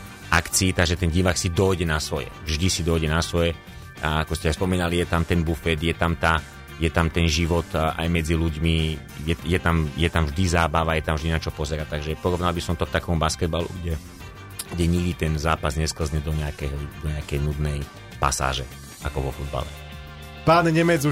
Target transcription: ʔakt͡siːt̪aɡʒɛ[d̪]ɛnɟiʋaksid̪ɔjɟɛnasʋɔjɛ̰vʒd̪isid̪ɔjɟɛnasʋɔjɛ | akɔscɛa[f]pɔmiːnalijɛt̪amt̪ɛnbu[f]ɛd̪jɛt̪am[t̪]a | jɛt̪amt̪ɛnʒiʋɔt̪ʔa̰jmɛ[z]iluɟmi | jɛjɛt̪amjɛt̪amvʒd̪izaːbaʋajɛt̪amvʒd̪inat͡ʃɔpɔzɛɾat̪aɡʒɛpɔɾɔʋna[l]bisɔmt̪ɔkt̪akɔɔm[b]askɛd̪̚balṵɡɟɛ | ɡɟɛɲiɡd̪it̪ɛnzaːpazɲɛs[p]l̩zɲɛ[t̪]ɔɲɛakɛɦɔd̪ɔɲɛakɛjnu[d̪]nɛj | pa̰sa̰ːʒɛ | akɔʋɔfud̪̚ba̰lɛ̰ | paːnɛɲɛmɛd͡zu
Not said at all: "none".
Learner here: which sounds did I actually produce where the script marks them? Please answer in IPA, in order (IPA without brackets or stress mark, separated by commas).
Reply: t̪, s, f, t̪, d͡z, l, b, k, d̪, d̪